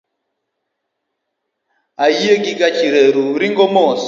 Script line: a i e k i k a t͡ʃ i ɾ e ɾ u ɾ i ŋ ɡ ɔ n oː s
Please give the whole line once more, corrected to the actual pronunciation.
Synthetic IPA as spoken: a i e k i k a t͡ʃ i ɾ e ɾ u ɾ i ŋ ɡ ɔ m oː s